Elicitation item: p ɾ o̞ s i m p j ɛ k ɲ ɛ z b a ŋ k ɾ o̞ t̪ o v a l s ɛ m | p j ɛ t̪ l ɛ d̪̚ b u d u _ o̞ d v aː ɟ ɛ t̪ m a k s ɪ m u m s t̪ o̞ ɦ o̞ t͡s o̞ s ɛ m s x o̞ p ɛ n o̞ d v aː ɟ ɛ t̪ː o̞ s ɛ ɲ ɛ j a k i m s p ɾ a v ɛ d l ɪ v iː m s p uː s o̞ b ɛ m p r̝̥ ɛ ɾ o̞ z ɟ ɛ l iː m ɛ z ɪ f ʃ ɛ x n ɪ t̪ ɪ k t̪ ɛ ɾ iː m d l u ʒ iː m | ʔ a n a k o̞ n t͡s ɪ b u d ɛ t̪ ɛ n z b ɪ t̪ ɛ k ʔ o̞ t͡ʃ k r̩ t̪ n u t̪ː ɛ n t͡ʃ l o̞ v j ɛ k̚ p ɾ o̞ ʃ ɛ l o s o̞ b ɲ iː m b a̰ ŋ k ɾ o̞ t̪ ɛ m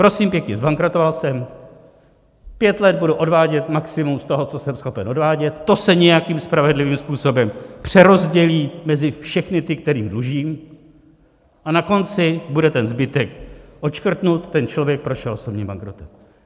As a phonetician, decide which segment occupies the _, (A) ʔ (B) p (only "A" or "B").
A